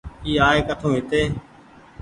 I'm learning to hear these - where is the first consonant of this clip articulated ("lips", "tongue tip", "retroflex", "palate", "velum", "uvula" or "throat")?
velum